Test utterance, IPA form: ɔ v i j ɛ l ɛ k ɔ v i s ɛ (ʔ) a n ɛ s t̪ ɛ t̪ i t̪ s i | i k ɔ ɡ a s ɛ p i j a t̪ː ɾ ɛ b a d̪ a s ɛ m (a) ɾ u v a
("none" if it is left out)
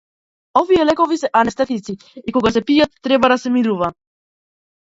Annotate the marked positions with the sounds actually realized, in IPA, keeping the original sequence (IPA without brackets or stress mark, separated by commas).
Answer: ʔ, i